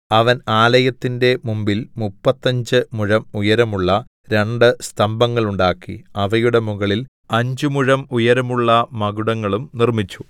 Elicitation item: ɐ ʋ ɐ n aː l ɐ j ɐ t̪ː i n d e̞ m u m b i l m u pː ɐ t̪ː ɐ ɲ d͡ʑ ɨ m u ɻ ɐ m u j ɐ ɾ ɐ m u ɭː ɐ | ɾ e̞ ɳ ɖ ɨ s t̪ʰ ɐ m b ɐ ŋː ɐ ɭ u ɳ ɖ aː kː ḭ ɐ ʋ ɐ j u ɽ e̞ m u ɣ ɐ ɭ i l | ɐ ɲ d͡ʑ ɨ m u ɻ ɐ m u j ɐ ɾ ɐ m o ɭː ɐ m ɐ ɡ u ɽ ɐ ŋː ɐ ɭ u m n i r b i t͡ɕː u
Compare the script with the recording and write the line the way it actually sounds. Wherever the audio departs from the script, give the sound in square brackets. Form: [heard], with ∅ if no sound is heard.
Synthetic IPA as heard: ɐ ʋ ɐ n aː l ɐ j ɐ t̪ː i n d e̞ m u m b i l m u pː ɐ t̪ː ɐ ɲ d͡ʑ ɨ m u ɻ ɐ m u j ɐ ɾ ɐ m u ɭː ɐ | ɾ e̞ ɳ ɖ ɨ s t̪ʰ ɐ m b ɐ ŋː ɐ ɭ u ɳ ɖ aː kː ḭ ɐ ʋ ɐ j u ɽ e̞ m u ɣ ɐ ɭ i l | ɐ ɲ d͡ʑ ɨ m u ɻ ɐ m u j ɐ ɾ ɐ m [u] ɭː ɐ m ɐ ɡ u ɽ ɐ ŋː ɐ ɭ u m n i r [m] i t͡ɕː u